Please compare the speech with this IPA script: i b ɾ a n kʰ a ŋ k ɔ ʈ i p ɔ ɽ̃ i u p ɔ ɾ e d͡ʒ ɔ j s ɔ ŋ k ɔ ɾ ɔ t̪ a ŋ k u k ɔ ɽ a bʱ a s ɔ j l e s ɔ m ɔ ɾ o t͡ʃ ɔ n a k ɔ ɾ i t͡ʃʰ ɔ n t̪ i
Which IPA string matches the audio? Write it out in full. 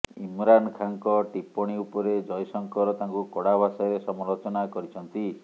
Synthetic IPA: i m ɾ a n kʰ a ŋ k ɔ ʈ i p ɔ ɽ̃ i u p ɔ ɾ e d͡ʒ ɔ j s ɔ ŋ k ɔ ɾ ɔ t̪ a ŋ k u k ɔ ɽ a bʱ a s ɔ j ɾ e s ɔ m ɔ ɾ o t͡ʃ ɔ n a k ɔ ɾ i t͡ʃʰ ɔ n t̪ i